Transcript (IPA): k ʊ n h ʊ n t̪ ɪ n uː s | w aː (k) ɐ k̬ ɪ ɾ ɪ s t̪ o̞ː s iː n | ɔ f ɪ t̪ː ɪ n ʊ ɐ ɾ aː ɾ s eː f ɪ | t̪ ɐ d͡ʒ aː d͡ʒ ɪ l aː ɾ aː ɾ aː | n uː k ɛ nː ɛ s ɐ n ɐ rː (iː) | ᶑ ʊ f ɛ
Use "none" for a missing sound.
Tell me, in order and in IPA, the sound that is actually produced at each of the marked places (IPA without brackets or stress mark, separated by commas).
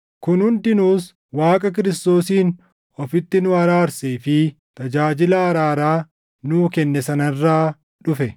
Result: kʼ, aː